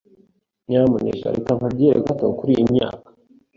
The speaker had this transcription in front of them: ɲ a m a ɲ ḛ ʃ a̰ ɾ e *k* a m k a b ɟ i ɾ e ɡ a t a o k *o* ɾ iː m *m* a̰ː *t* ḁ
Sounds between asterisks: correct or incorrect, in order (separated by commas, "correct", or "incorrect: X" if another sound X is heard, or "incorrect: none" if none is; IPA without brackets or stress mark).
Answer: correct, incorrect: u, incorrect: ɲ, incorrect: k